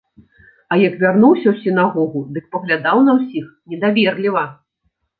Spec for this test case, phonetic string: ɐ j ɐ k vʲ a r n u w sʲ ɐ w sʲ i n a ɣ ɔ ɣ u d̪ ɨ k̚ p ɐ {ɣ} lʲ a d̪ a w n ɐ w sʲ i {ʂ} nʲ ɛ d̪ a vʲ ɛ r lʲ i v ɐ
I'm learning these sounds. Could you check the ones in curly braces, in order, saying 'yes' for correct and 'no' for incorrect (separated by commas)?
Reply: yes, no